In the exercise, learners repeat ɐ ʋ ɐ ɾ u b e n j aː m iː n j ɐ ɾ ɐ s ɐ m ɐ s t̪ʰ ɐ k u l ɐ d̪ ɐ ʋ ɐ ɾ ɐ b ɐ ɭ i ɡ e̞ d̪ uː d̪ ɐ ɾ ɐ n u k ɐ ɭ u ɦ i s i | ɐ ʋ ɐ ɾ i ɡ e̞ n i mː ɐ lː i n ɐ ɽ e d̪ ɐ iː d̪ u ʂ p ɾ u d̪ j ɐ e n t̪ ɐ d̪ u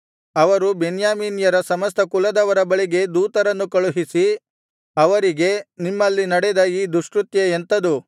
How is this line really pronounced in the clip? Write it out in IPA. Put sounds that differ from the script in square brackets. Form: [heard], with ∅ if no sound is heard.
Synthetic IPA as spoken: ɐ ʋ ɐ ɾ u b e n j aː m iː n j ɐ ɾ ɐ s ɐ m ɐ s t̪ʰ ɐ k u l ɐ d̪ ɐ ʋ ɐ ɾ ɐ b ɐ ɭ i ɡ e̞ d̪ uː [t̪] ɐ ɾ ɐ [nː] u k ɐ ɭ u ɦ i s i | ɐ ʋ ɐ ɾ i ɡ e̞ n i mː ɐ lː i n ɐ ɽ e d̪ ɐ iː d̪ u ʂ [k] ɾ u [t̪] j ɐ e n t̪ ɐ d̪ u